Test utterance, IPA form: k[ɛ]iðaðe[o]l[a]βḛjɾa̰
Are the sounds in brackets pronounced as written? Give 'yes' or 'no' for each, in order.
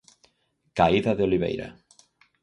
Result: no, yes, no

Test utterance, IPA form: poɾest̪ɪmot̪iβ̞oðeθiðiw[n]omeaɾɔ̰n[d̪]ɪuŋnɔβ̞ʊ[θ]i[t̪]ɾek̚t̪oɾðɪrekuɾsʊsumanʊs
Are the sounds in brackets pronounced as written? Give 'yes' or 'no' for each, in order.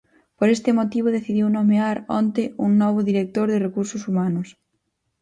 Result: yes, no, no, no

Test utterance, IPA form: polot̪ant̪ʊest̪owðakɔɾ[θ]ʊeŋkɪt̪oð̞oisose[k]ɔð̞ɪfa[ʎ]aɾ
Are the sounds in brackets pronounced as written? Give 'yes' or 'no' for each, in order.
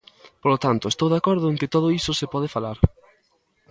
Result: no, no, no

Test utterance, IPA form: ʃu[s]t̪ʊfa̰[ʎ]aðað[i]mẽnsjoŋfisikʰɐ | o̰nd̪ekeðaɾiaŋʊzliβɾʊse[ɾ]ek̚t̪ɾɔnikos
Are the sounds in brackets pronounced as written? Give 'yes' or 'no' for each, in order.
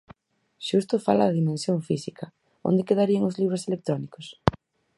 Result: yes, no, yes, no

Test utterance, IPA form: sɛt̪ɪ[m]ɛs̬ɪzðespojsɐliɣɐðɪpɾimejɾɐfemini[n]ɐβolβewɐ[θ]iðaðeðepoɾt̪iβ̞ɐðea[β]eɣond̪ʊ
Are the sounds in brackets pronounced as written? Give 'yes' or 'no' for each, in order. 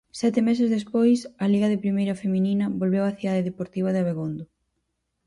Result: yes, yes, yes, yes

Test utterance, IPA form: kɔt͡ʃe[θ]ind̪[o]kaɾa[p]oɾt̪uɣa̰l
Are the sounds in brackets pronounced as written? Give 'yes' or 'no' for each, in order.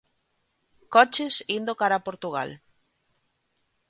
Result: no, yes, yes

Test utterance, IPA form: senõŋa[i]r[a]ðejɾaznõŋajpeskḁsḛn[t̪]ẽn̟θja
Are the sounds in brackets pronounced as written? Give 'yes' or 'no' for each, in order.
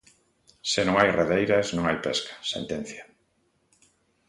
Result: no, no, yes

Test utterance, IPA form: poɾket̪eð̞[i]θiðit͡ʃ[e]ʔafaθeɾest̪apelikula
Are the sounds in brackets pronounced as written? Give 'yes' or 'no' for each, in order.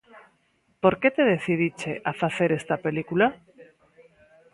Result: no, yes

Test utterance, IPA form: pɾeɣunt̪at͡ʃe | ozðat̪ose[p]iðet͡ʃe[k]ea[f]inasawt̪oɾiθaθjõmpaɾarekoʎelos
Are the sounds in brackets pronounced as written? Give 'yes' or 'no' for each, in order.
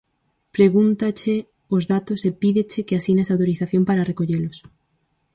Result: yes, yes, no

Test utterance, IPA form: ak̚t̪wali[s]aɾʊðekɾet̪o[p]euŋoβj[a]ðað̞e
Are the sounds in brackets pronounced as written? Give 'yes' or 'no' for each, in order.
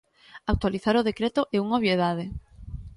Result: no, no, no

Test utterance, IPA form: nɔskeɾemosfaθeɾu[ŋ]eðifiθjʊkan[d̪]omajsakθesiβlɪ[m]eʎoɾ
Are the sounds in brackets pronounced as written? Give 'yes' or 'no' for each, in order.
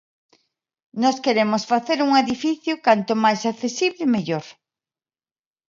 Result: yes, no, yes

